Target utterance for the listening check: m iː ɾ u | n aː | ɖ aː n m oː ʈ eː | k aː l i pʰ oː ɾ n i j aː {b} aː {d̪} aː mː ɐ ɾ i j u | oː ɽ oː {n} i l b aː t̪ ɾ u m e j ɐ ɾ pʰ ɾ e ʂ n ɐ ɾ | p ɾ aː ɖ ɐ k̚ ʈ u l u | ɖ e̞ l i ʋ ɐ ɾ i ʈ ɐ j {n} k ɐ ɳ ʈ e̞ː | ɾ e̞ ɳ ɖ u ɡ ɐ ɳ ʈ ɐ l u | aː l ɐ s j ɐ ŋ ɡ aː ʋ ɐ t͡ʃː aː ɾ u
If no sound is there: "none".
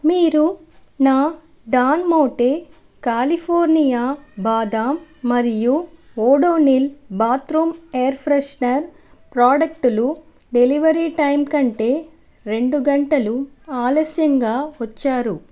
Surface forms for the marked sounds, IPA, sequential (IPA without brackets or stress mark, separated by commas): b, d̪, n, m